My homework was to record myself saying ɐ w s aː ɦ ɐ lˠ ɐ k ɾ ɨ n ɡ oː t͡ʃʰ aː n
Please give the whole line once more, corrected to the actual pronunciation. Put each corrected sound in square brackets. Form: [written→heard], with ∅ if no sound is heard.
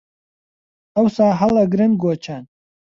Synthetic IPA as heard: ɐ w s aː ɦ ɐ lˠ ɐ [k→ɡ] ɾ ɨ n ɡ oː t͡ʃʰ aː n